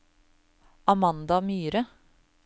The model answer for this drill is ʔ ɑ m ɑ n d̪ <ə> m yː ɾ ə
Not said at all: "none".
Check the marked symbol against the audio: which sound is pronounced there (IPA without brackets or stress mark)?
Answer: ɑ